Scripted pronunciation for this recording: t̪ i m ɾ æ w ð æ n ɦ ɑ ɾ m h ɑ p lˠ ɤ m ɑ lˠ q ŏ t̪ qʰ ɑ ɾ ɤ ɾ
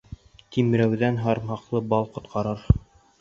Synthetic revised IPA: t̪ i m ɾ æ w ð æ n ɦ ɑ ɾ m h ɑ q lˠ ɤ b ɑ lˠ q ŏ t̪ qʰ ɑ ɾ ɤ ɾ